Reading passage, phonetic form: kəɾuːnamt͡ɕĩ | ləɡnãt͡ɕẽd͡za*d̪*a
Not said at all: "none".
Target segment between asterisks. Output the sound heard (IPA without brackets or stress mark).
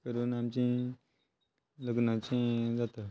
t̪